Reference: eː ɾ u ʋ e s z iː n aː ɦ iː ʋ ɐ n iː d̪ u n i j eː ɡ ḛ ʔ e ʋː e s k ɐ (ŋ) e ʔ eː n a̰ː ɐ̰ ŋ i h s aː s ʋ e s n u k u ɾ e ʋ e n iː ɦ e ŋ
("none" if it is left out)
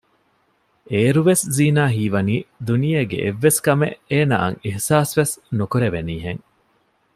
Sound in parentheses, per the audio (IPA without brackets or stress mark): m